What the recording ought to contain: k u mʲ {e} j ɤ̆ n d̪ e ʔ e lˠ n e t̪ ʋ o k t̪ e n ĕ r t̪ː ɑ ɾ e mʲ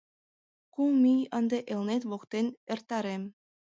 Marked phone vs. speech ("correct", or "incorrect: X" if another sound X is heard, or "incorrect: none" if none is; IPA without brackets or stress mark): incorrect: i